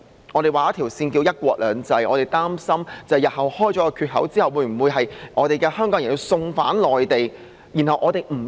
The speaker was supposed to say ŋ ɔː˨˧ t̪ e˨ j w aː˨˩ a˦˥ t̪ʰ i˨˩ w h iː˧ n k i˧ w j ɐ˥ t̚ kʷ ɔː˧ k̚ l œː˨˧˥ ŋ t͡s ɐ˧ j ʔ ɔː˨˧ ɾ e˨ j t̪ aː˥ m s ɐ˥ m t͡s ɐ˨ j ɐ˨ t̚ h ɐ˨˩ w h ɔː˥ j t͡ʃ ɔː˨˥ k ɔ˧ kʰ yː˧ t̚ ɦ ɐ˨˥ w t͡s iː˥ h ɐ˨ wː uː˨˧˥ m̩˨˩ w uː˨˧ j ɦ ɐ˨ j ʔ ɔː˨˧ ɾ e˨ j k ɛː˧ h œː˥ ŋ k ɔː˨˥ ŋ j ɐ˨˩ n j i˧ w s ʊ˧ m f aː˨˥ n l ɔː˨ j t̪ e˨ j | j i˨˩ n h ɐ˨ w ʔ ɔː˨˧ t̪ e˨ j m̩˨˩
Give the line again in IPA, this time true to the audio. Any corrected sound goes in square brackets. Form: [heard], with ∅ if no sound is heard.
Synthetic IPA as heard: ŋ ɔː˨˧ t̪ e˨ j w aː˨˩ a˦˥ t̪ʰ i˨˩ w [s] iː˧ n k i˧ w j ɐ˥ t̚ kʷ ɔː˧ k̚ l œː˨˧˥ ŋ t͡s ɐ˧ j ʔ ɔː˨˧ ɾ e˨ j t̪ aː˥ m s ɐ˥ m t͡s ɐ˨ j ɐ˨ t̚ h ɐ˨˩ w h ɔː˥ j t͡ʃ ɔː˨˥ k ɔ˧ kʰ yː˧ t̚ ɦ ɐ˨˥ w t͡s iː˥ h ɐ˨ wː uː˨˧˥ m̩˨˩ w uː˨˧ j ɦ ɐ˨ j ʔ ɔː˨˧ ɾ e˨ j k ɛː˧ h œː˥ ŋ k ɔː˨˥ ŋ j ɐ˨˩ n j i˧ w s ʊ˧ [ŋ] f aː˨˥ n l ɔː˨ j t̪ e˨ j | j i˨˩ n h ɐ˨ w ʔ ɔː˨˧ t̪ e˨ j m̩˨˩